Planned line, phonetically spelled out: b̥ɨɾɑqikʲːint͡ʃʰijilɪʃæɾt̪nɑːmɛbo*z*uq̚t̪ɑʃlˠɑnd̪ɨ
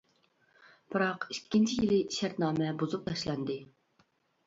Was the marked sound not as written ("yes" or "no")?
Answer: no